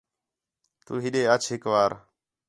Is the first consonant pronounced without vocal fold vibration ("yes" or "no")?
yes